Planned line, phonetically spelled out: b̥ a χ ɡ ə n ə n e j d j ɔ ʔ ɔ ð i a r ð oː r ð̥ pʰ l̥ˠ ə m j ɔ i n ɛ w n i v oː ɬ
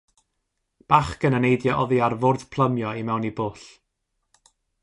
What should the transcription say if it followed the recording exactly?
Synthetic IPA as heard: b̥ a χ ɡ ə n ə n e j d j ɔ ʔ ɔ ð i a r v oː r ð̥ pʰ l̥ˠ ə m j ɔ i m ɛ w n i b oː ɬ